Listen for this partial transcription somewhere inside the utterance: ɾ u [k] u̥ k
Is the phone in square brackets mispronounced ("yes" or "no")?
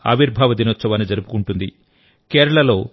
yes